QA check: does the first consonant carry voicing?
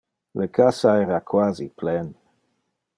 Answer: yes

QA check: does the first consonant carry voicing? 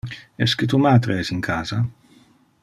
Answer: no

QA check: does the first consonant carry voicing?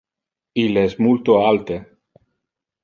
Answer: yes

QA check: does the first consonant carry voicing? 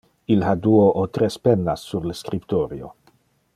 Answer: yes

